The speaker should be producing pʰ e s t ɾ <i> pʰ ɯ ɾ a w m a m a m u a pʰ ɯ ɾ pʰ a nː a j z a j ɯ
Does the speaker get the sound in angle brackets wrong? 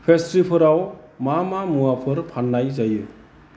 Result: no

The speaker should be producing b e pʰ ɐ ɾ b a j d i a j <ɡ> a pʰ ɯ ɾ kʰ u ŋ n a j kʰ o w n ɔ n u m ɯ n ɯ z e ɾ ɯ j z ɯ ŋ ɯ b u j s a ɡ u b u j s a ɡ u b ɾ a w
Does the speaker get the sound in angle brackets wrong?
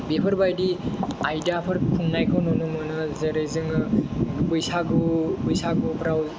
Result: yes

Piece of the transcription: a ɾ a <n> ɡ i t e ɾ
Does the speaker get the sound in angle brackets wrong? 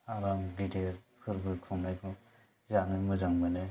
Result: yes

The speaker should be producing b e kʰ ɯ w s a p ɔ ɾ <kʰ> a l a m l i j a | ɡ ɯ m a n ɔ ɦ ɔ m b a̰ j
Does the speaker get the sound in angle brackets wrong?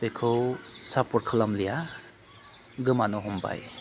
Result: no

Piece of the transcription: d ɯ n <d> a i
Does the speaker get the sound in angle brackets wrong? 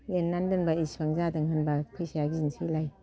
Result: yes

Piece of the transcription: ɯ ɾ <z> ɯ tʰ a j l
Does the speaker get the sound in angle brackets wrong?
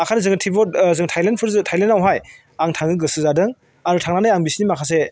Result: no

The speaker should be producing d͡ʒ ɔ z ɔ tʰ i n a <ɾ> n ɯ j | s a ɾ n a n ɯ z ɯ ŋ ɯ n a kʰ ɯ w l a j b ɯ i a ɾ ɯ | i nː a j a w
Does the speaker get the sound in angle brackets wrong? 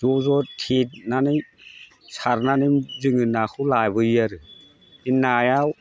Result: yes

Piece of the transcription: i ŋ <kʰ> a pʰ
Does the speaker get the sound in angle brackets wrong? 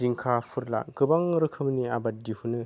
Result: no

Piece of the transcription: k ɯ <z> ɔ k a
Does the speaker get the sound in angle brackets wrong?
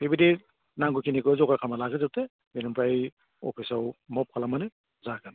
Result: no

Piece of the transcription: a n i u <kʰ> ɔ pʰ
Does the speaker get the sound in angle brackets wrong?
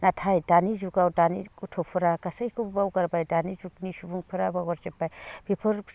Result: yes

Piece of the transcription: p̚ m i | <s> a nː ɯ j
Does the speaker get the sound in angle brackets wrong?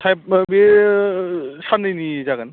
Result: no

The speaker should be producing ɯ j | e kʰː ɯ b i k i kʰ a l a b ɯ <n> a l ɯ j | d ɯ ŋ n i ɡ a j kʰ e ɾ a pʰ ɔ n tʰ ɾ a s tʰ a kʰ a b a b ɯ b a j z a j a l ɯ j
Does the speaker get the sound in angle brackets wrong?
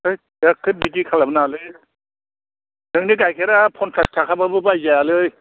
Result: no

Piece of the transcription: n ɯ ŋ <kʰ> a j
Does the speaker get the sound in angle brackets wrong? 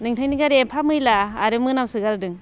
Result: yes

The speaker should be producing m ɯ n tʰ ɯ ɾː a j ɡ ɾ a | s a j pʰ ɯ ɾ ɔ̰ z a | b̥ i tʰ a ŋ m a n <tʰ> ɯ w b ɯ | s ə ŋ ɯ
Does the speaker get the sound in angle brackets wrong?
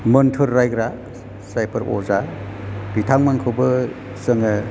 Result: yes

